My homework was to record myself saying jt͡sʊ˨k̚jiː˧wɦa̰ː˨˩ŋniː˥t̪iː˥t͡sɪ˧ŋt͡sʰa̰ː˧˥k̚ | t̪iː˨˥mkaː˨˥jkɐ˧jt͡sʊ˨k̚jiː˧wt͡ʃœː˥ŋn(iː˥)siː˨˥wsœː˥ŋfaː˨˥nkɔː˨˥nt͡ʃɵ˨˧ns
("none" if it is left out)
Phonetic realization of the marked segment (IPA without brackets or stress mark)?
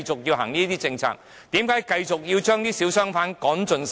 iː˥